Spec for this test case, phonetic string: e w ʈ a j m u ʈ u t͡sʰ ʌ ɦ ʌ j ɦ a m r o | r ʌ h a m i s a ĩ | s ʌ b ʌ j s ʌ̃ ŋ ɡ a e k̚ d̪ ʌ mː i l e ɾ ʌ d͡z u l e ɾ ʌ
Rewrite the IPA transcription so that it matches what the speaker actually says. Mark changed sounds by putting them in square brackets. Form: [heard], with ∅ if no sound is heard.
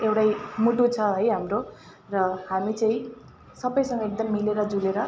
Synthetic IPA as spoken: e w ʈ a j m u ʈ u t͡sʰ ʌ ɦ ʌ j ɦ a m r o | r ʌ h a m i [t͡s] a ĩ | s ʌ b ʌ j s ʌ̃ ŋ ɡ [ʌ] e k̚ d̪ ʌ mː i l e ɾ ʌ d͡z u l e ɾ ʌ